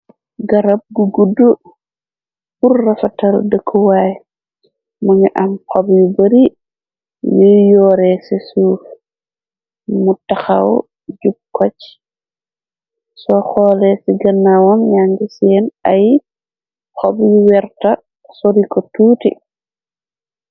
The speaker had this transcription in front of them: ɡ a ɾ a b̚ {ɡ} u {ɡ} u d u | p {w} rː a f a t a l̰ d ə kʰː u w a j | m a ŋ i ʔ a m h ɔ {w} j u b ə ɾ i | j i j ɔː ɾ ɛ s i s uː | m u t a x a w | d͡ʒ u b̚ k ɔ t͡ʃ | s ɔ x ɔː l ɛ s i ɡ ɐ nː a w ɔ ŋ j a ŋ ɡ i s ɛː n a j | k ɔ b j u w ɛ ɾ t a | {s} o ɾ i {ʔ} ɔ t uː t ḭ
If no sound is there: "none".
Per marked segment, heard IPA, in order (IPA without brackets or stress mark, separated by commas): ɡ, ɡ, u, b, s, k